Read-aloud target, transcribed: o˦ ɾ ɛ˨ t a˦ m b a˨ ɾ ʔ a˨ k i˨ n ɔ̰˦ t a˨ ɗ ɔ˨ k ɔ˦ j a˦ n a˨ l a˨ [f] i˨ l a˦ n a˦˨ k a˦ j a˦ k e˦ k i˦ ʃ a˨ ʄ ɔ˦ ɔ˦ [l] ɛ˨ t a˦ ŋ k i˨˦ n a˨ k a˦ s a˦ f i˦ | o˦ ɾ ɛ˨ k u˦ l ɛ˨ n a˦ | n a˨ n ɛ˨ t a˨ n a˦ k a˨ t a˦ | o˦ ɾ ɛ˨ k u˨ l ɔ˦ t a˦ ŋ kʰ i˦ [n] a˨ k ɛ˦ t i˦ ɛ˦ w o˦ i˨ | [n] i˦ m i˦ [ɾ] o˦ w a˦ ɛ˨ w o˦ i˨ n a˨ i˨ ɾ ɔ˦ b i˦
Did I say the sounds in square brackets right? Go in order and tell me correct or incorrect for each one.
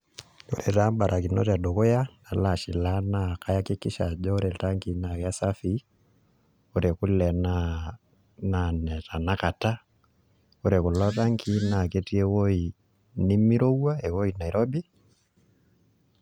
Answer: incorrect: ʃ, incorrect: ɾ, correct, correct, correct

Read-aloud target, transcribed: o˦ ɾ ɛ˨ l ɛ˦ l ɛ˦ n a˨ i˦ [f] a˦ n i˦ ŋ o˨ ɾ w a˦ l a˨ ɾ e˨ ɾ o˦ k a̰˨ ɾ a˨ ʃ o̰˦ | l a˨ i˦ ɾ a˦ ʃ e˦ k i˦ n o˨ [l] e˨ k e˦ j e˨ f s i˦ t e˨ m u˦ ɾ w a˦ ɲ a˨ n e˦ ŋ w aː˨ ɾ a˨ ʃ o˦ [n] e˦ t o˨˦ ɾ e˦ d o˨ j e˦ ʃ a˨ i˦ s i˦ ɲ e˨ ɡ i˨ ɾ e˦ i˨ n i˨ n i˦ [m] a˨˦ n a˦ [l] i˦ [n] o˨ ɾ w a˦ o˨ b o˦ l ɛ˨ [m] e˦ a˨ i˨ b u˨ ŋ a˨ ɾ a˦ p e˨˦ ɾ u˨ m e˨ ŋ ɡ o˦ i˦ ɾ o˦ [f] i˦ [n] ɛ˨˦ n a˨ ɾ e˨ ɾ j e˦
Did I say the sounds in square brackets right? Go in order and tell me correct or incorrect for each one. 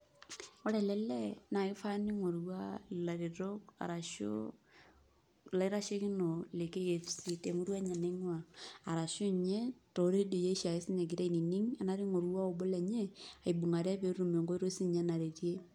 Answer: correct, correct, incorrect: ɲ, incorrect: ŋ, incorrect: ɾ, incorrect: ŋ, incorrect: ɲ, incorrect: s, incorrect: ɲ

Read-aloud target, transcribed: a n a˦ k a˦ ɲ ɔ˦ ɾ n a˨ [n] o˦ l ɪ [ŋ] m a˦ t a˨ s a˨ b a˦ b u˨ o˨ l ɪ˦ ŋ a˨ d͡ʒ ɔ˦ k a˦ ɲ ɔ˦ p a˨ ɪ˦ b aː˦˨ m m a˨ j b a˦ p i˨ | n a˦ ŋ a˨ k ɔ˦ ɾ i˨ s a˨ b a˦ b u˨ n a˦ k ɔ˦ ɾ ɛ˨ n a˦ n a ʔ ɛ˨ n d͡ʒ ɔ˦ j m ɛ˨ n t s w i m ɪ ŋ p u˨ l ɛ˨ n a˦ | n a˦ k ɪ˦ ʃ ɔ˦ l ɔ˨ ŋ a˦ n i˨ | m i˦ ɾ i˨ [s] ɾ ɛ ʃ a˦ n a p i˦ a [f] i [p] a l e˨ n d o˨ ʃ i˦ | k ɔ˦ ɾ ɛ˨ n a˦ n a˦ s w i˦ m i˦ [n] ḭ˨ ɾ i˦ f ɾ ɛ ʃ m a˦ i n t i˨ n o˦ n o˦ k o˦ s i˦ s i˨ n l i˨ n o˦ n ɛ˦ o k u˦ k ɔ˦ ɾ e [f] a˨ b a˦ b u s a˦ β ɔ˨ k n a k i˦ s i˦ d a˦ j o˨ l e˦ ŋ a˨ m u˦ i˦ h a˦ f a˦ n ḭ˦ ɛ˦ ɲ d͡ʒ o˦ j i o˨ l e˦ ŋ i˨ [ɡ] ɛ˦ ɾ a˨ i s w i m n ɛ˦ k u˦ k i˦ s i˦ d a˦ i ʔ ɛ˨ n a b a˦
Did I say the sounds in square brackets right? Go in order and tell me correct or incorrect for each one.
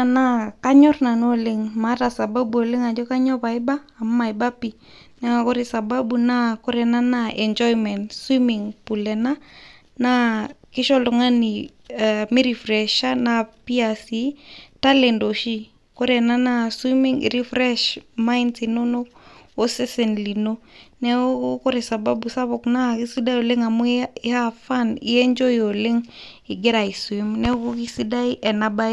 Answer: correct, correct, incorrect: f, incorrect: s, incorrect: t, incorrect: ŋ, incorrect: s, correct

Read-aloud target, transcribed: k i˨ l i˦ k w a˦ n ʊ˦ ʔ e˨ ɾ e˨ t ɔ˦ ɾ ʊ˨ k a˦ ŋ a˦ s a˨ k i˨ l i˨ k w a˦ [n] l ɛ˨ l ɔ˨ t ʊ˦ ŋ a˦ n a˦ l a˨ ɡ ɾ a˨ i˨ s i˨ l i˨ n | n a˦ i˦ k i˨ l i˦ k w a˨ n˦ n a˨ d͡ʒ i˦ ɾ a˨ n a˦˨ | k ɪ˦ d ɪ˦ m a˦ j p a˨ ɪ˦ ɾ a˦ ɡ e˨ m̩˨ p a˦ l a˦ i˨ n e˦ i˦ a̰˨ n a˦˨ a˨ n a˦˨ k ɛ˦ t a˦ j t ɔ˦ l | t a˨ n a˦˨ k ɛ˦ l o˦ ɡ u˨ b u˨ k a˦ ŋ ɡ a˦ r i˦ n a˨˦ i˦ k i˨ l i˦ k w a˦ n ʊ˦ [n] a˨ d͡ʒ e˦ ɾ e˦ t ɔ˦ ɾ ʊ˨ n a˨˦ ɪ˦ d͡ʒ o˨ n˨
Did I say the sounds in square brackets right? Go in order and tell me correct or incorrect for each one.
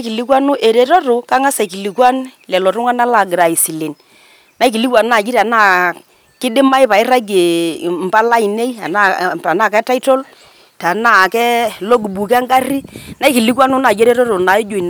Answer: correct, correct

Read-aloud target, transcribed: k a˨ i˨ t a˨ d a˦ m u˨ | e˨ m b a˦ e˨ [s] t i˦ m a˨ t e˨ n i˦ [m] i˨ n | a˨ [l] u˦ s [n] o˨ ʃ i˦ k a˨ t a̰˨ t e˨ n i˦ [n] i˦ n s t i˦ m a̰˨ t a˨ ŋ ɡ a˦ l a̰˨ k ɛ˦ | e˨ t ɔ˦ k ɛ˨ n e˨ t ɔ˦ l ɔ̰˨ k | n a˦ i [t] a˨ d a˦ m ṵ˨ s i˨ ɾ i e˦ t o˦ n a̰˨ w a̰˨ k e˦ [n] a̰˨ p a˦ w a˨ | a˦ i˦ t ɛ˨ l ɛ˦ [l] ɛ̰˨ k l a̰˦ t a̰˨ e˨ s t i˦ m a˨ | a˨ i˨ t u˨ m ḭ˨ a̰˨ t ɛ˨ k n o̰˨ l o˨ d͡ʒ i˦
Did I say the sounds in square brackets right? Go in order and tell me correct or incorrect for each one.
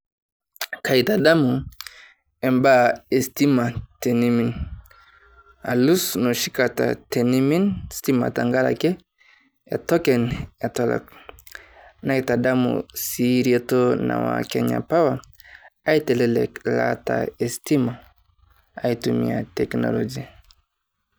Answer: correct, correct, correct, correct, incorrect: m, correct, incorrect: ɲ, correct

